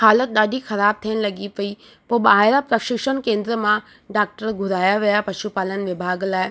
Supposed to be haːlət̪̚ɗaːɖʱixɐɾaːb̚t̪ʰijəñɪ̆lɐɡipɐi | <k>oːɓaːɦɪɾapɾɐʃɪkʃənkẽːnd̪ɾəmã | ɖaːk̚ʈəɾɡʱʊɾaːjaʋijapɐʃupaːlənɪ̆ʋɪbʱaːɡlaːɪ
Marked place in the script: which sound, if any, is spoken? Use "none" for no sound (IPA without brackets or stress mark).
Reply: p